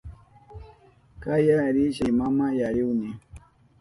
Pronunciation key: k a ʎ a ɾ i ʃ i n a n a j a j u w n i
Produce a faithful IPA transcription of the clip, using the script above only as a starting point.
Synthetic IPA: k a j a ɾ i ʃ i m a m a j a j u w n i